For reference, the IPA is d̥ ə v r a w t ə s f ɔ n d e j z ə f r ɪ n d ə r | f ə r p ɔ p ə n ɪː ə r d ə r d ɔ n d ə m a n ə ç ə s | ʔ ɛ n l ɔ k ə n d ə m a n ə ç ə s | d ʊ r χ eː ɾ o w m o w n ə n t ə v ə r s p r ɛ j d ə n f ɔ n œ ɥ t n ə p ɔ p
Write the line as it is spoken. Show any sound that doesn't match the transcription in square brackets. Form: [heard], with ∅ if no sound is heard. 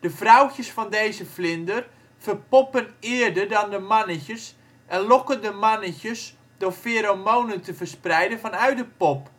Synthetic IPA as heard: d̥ ə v r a w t ə s f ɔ n d e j z ə f [l] ɪ n d ə r | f ə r p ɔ p ə n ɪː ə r d ə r d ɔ n d ə m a n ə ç ə s | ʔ ɛ n l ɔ k ə n d ə m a n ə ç ə s | d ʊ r [f] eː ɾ o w m o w n ə n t ə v ə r s p r ɛ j d ə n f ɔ n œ ɥ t [d] ə p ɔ p